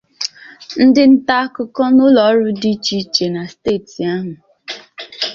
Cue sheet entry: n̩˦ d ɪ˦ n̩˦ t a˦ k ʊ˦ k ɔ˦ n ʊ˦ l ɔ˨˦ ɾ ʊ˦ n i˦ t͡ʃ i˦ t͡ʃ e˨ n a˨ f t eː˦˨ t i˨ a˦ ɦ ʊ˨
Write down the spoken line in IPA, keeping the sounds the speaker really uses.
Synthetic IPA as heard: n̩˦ d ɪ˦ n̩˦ t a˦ k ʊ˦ k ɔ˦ n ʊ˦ l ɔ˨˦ ɾ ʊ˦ d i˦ t͡ʃ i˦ t͡ʃ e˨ n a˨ s t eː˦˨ t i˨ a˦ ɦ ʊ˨